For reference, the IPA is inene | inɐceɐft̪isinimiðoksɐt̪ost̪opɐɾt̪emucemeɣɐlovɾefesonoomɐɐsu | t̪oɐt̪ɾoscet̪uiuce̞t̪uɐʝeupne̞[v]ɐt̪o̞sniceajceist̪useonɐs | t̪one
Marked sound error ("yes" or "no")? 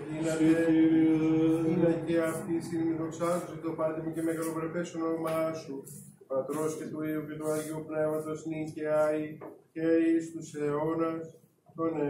no